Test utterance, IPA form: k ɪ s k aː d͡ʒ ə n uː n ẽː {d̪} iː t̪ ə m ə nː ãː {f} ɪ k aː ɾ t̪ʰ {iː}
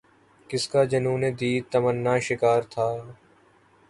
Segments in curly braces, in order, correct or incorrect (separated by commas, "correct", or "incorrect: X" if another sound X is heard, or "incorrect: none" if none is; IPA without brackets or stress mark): correct, incorrect: ʃ, incorrect: aː